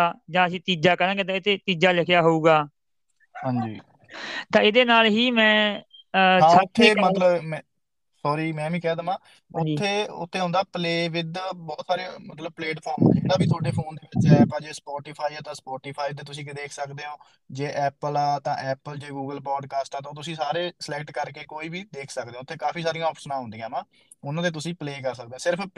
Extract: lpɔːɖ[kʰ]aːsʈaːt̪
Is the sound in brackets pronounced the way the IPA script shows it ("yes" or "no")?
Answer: no